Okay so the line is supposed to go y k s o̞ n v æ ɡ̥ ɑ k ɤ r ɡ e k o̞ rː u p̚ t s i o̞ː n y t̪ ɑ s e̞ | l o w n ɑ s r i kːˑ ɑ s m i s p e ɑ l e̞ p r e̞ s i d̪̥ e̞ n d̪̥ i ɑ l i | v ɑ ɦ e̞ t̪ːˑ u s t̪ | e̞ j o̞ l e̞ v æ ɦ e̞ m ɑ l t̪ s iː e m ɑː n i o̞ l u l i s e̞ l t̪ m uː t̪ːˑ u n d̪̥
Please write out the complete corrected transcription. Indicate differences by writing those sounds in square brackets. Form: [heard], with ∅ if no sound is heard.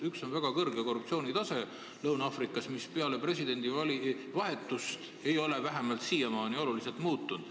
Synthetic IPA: y k s o̞ n v æ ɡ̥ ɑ k ɤ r ɡ e k o̞ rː u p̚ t s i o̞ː n [i] t̪ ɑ s e̞ | l [ɤ] w n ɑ [f] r i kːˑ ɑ s m i s p e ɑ l e̞ p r e̞ s i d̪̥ e̞ n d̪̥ i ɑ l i | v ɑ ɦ e̞ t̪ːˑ u s t̪ | e̞ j o̞ l e̞ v æ ɦ e̞ m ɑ l t̪ s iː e m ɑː n i o̞ l u l i s e̞ l t̪ m uː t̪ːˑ u n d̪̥